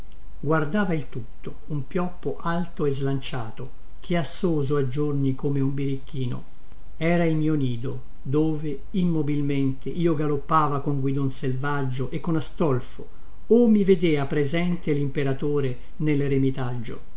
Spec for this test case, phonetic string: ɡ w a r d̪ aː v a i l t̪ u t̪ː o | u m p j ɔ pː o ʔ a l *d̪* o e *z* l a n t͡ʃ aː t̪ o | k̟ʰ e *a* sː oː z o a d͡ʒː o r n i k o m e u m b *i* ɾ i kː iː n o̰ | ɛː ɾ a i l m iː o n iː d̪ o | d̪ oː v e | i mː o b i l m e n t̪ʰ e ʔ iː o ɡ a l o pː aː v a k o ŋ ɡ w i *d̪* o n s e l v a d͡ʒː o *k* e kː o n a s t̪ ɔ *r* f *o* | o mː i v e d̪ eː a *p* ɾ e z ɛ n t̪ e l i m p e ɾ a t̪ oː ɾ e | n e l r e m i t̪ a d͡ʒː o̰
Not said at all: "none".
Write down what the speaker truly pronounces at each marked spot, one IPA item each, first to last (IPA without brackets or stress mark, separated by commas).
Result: t̪, z, a, i, d̪, ʔ, l, o, p